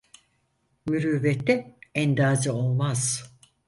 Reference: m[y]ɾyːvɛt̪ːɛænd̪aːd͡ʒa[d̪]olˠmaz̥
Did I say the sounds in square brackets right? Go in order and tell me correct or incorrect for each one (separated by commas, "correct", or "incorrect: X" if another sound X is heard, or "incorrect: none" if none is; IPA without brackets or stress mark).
correct, incorrect: none